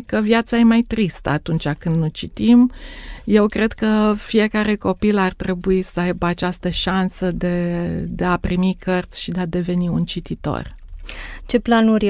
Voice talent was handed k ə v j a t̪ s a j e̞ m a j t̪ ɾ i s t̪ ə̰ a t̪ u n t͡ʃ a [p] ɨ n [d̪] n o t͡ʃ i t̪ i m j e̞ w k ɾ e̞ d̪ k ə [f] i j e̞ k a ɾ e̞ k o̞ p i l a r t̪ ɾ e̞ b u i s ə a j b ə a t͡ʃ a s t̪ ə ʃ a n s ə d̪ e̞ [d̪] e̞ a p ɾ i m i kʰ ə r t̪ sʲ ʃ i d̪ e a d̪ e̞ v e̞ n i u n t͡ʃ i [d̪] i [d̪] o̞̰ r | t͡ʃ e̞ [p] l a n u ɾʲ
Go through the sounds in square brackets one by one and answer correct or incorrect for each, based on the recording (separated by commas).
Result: incorrect, correct, correct, correct, incorrect, incorrect, correct